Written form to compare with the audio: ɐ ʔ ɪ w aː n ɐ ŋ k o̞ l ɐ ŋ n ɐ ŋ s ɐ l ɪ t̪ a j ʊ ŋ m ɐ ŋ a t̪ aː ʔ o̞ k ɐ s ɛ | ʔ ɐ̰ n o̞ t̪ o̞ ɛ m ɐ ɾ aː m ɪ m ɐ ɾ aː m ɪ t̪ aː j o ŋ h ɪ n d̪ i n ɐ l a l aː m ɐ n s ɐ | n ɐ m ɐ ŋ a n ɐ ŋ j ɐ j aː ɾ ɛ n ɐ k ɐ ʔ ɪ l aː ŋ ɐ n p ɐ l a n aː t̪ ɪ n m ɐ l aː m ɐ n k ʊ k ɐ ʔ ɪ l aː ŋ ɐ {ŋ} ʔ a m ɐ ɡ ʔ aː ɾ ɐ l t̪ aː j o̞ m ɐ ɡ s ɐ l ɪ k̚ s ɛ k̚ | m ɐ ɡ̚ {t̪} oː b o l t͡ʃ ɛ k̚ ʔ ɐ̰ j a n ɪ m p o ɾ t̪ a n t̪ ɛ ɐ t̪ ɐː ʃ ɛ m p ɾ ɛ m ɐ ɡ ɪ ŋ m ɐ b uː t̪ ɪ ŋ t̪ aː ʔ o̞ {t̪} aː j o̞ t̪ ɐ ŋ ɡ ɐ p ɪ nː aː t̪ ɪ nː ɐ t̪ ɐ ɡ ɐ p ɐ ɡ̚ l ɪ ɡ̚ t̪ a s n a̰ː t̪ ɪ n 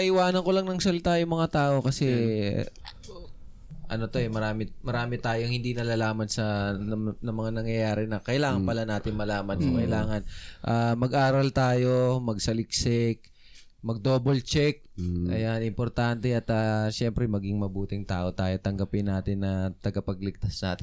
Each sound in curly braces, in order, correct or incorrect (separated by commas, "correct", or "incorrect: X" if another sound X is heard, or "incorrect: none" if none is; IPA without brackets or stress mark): incorrect: n, incorrect: d̪, correct